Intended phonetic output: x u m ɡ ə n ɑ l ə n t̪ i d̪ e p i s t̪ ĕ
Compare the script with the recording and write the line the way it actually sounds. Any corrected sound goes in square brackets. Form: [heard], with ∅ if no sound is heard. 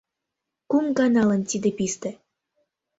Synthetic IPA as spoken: [k] u m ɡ [ɑ] n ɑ l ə n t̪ i d̪ e p i s t̪ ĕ